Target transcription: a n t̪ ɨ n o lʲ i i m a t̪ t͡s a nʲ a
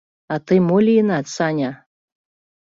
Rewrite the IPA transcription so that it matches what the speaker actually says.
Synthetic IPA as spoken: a t̪ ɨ m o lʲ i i n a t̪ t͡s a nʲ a